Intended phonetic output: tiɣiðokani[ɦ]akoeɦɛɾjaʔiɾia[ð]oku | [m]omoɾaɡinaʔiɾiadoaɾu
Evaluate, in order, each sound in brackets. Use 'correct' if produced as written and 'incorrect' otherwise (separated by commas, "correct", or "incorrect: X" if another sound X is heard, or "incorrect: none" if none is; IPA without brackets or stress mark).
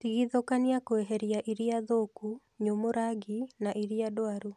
incorrect: none, correct, incorrect: ɲ